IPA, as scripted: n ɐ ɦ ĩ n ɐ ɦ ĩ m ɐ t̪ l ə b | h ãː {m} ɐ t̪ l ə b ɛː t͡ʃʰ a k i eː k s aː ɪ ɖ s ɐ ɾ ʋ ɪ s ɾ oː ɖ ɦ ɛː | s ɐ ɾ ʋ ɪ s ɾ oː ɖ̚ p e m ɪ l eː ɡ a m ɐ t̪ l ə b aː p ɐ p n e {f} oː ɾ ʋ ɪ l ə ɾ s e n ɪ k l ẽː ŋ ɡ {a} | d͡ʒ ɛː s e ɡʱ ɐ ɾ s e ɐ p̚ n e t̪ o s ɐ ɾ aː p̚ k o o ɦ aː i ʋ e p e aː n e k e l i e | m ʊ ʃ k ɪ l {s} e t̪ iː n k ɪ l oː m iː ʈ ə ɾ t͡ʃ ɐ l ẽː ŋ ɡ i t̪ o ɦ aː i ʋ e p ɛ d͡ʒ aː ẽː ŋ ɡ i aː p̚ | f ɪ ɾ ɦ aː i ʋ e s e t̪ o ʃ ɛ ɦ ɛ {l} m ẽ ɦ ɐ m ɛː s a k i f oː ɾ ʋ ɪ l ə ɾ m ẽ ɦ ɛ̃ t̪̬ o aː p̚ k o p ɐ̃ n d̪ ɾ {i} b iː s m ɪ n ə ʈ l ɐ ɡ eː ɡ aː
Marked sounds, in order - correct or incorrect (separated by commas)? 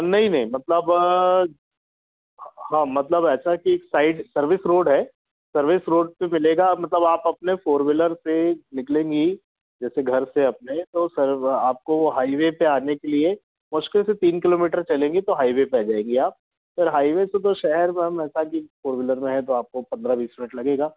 correct, correct, incorrect, correct, incorrect, incorrect